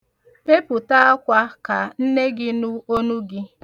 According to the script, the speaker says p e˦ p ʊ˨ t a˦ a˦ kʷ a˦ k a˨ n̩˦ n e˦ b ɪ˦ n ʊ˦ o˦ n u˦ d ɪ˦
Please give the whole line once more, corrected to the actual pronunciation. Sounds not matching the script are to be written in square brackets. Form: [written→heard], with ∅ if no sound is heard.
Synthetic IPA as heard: p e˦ p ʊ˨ t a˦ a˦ kʷ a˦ k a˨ n̩˦ n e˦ [b→ɡ] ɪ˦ n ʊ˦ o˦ n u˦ [d→ɡ] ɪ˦